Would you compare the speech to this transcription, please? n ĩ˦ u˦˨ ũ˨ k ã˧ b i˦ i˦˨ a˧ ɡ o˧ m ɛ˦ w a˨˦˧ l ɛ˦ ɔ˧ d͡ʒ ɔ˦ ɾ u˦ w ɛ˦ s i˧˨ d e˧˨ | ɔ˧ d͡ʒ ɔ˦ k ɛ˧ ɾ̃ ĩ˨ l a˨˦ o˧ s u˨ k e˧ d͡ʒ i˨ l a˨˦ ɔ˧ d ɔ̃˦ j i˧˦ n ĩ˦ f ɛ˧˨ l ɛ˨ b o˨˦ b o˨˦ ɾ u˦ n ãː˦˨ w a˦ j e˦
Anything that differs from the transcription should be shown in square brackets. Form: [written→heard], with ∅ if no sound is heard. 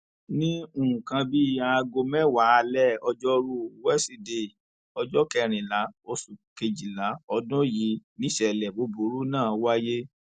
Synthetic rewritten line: n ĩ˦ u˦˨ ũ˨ k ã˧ b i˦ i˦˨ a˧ ɡ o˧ m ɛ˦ w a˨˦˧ l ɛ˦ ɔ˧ d͡ʒ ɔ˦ ɾ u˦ w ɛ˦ s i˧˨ d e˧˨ | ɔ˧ d͡ʒ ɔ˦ k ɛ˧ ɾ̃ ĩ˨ l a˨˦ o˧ s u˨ k e˧ d͡ʒ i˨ l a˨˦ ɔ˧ d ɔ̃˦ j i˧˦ n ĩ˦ [f→ʃ] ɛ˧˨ l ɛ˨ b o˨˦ b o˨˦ ɾ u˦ n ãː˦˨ w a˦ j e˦